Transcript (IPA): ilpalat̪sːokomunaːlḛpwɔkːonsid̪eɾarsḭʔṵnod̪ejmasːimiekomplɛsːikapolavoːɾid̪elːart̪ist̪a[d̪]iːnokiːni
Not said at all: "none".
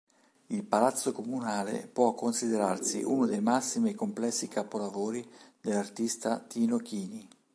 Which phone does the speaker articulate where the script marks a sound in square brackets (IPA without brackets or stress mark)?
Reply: t̪